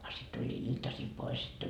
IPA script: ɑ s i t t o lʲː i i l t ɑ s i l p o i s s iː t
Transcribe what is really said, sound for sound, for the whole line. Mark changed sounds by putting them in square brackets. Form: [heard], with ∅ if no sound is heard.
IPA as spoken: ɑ s i t t [u] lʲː [iː] i l t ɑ s i l p o i s s [i] t